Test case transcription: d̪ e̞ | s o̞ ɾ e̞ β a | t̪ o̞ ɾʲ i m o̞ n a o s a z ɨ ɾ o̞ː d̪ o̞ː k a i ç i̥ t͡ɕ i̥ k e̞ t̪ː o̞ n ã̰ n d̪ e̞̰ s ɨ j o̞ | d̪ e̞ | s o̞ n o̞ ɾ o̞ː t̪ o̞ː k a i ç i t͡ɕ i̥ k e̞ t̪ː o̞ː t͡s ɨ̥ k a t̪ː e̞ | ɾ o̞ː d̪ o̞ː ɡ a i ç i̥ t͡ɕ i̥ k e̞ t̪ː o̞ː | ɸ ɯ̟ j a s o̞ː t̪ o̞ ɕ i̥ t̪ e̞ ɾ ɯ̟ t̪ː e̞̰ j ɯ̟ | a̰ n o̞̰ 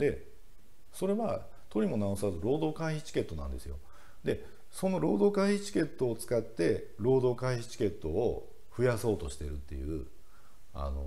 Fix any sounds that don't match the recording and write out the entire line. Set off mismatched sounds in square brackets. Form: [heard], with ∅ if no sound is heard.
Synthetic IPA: d̪ e̞ | s o̞ ɾ e̞ β a | t̪ o̞ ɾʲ i m o̞ n a o s a z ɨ ɾ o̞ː d̪ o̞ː k a i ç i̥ t͡ɕ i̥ k e̞ t̪ː o̞ n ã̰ n d̪ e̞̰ s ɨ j o̞ | d̪ e̞ | s o̞ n o̞ ɾ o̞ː [d̪] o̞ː k a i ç i t͡ɕ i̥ k e̞ t̪ː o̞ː t͡s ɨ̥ k a t̪ː e̞ | ɾ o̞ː d̪ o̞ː [k] a i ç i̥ t͡ɕ i̥ k e̞ t̪ː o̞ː | ɸ ɯ̟ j a s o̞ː t̪ o̞ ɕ i̥ t̪ e̞ ɾ ɯ̟ t̪ː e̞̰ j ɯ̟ | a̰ n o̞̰